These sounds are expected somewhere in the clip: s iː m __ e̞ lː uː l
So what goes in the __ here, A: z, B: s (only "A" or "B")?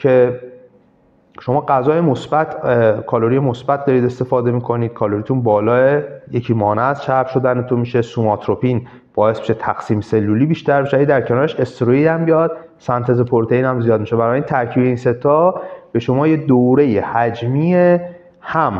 B